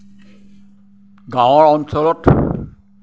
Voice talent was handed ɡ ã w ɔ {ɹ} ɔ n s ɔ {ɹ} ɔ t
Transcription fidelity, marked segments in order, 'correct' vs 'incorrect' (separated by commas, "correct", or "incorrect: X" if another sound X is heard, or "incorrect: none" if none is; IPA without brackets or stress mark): correct, incorrect: l